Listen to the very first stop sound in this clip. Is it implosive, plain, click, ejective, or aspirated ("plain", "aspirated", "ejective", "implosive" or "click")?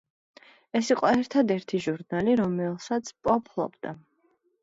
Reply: ejective